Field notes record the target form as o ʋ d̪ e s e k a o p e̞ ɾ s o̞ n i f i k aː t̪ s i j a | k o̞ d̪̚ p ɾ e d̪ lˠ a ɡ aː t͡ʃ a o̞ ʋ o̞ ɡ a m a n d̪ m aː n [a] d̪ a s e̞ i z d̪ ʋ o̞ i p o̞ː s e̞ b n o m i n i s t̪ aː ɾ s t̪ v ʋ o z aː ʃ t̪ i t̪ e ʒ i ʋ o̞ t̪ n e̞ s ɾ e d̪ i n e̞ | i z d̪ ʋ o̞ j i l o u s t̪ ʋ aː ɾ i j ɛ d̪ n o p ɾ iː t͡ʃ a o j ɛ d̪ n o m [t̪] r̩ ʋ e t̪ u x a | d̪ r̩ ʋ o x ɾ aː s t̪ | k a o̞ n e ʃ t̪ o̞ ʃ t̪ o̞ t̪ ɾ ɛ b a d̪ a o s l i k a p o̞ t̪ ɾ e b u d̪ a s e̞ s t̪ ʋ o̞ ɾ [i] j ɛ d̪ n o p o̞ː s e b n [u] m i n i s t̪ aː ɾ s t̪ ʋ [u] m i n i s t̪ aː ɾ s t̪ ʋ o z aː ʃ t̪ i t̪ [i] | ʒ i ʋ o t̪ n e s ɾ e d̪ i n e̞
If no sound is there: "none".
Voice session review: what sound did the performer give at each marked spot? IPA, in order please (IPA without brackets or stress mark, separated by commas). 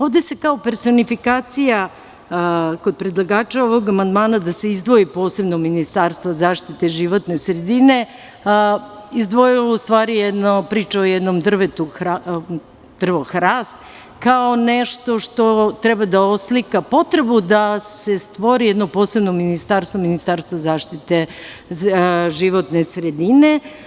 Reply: a, d̪, i, o, o, e